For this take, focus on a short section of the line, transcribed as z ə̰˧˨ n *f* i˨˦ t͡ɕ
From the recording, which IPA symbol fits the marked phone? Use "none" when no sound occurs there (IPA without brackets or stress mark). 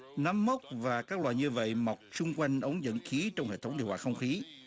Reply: x